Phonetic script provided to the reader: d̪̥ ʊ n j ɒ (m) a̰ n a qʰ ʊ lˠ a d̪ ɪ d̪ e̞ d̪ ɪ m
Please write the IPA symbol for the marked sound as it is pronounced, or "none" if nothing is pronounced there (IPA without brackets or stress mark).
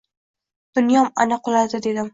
m